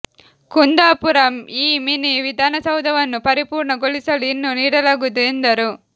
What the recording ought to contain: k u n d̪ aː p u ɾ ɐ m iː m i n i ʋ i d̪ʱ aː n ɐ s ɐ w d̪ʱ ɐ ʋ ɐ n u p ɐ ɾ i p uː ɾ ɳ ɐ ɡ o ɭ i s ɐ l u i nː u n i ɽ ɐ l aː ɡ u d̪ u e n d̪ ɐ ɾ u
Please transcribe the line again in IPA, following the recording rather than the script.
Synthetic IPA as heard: k u n d̪ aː p u ɾ ɐ m iː m i n i ʋ i d̪ʱ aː n ɐ s ɐ w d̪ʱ ɐ ʋ ɐ nː u p ɐ ɾ i p uː ɾ ɳ ɐ ɡ o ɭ i s ɐ l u i nː u n iː ɽ ɐ l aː ɡ u d̪ u e n d̪ ɐ ɾ u

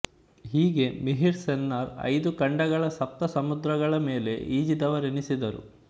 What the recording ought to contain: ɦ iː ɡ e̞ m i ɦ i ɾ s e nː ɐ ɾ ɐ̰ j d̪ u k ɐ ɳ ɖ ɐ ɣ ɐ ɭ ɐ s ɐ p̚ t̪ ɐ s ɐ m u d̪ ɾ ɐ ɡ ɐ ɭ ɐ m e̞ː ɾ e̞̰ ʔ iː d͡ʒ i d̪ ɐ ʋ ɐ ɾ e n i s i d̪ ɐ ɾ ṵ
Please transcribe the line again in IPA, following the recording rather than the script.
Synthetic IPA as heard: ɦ iː ɡ e̞ m i ɦ i ɾ s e nː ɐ ɾ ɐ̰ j d̪ u k ɐ ɳ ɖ ɐ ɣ ɐ ɭ ɐ s ɐ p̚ t̪ ɐ s ɐ m u d̪ ɾ ɐ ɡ ɐ ɭ ɐ m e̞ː l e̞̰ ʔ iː d͡ʒ i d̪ ɐ ʋ ɐ ɾ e n i s i d̪ ɐ ɾ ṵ

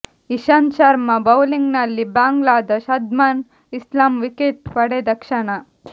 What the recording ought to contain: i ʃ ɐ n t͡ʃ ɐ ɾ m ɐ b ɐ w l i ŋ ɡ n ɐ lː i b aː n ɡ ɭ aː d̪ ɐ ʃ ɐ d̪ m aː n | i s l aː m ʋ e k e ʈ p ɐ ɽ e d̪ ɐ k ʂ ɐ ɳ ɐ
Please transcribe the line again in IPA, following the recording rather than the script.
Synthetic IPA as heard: i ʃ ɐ n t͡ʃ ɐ ɾ m ɐ b ɐ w l i ŋ ɡ n ɐ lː i b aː ŋ ɡ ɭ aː d̪ ɐ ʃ ɐ d̪ m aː n | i s l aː m ʋ i k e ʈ p ɐ ɽ e d̪ ɐ k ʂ ɐ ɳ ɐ

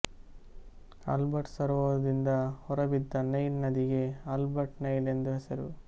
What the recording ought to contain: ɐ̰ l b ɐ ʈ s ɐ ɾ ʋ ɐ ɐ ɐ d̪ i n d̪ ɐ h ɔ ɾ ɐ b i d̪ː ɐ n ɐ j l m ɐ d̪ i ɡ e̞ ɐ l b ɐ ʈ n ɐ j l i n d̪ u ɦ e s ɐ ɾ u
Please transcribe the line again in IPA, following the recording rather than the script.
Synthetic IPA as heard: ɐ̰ l b ɐ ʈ s ɐ ɾ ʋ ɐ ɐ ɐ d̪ i n d̪ ɐ h ɔ ɾ ɐ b i d̪ː ɐ n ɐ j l n ɐ d̪ i ɡ e̞ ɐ l b ɐ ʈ n ɐ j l e n d̪ u ɦ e s ɐ ɾ u

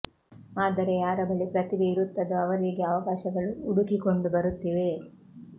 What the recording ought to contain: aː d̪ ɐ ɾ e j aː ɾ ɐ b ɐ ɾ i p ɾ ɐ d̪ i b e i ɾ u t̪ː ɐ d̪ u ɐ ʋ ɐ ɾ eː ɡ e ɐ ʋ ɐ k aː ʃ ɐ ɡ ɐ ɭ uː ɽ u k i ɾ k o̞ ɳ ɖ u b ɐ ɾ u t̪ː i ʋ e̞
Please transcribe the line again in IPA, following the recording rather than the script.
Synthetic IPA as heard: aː d̪ ɐ ɾ e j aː ɾ ɐ b ɐ ɭ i p ɾ ɐ t̪ i b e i ɾ u t̪ː ɐ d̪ u ɐ ʋ ɐ ɾ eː ɡ e ɐ ʋ ɐ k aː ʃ ɐ ɡ ɐ ɭ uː ɽ u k i k o̞ ɳ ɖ u b ɐ ɾ u t̪ː i ʋ e̞

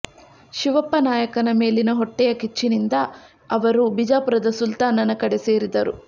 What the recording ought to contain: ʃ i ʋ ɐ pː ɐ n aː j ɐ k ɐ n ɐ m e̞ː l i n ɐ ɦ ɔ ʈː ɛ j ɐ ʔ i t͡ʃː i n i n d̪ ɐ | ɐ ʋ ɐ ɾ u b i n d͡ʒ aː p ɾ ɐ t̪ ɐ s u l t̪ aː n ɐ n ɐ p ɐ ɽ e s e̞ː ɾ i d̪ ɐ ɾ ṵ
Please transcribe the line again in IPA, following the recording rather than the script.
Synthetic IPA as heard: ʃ i ʋ ɐ pː ɐ n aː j ɐ k ɐ n ɐ m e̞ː l i n ɐ ɦ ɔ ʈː ɛ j ɐ k i t͡ʃː i n i n d̪ ɐ | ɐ ʋ ɐ ɾ u b i d͡ʒ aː p ɾ ɐ d̪ ɐ s u l t̪ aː n ɐ n ɐ k ɐ ɽ e s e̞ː ɾ i d̪ ɐ ɾ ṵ

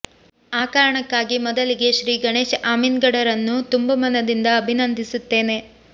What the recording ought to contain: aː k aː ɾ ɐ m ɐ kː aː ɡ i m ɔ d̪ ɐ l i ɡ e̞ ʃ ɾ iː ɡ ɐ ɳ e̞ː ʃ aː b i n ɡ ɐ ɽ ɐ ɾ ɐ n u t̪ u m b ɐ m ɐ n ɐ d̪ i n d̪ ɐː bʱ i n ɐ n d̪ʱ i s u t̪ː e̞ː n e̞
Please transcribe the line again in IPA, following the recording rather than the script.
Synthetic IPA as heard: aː k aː ɾ ɐ ɳ ɐ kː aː ɡ i m ɔ d̪ ɐ l i ɡ e̞ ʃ ɾ iː ɡ ɐ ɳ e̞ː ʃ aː m i n ɡ ɐ ɽ ɐ ɾ ɐ nː u t̪ u m b ɐ m ɐ n ɐ d̪ i n d̪ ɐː bʱ i n ɐ n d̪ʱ i s u t̪ː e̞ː n e̞

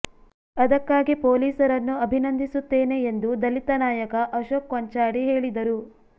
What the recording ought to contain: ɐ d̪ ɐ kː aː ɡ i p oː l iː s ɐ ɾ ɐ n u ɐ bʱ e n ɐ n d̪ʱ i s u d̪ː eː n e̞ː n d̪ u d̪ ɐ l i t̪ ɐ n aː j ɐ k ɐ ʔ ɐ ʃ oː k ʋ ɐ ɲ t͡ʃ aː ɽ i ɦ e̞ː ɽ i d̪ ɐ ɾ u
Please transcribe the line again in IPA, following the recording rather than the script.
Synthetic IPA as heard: ɐ d̪ ɐ kː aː ɡ i p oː l iː s ɐ ɾ ɐ nː u ɐ bʱ i n ɐ n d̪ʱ i s u t̪ː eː n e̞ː n d̪ u d̪ ɐ l i t̪ ɐ n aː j ɐ k ɐ ʔ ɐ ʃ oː k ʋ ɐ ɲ t͡ʃ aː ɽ i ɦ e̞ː ɭ i d̪ ɐ ɾ u

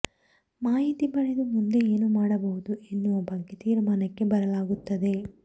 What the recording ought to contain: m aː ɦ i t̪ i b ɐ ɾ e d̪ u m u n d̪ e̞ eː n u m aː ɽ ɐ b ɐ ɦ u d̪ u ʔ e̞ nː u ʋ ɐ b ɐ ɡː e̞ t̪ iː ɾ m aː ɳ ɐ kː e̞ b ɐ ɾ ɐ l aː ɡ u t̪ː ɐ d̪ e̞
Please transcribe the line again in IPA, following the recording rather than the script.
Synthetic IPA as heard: m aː ɦ i t̪ i b ɐ ɭ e d̪ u m u n d̪ e̞ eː n u m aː ɽ ɐ b ɐ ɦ u d̪ u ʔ e̞ nː u ʋ ɐ b ɐ ɡː e̞ t̪ iː ɾ m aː n ɐ kː e̞ b ɐ ɾ ɐ l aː ɡ u t̪ː ɐ d̪ e̞

